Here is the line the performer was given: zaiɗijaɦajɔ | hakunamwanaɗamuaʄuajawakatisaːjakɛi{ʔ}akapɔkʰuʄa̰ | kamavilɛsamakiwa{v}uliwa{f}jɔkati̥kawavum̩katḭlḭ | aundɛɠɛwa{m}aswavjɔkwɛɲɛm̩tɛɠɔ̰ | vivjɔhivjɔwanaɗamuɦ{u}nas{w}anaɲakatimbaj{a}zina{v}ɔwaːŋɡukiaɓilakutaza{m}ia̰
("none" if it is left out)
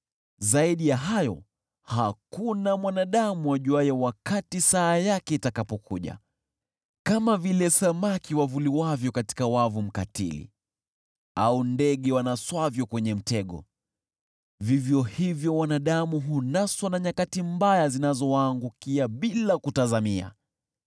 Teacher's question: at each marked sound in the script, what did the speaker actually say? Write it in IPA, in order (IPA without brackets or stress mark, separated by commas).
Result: t, v, v, n, u, w, a, z, m